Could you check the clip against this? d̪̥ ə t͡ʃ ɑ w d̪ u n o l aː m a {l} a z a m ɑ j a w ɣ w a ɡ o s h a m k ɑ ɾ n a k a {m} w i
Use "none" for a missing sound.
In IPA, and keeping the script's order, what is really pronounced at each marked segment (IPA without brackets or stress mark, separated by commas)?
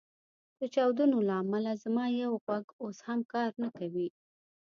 l, none